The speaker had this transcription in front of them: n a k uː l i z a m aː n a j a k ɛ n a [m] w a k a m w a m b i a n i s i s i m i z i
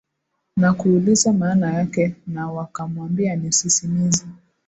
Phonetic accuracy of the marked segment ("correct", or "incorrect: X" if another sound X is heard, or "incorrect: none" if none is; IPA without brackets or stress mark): incorrect: none